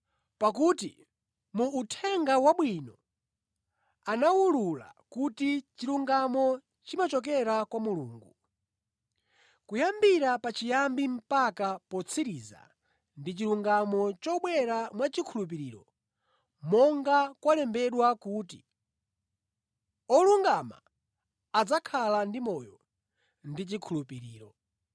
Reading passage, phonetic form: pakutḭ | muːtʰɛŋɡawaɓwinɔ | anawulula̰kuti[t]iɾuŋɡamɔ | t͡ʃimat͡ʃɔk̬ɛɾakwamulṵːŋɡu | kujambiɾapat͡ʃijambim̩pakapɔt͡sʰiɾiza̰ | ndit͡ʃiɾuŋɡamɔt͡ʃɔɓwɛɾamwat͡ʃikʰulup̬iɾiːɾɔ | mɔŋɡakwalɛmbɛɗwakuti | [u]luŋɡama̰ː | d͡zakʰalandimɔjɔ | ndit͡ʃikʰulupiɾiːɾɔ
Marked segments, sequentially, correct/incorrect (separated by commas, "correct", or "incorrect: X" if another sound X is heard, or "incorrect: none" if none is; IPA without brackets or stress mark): incorrect: t͡ʃ, incorrect: ɔ